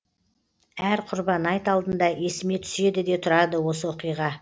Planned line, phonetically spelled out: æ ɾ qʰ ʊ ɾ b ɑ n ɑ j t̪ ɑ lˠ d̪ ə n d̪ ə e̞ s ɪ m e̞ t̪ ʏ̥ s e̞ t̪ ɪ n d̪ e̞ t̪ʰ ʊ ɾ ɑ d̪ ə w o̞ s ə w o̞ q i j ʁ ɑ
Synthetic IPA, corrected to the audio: æ ɾ qʰ ʊ ɾ b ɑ n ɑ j t̪ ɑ lˠ d̪ ə n d̪ ɑ e̞ s ɪ m e̞ t̪ʰ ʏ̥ s e̞ d̪ ɪ d̪ e̞ t̪ʰ ʊ ɾ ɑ d̪ ə w o̞ s ə w o̞ q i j ʁ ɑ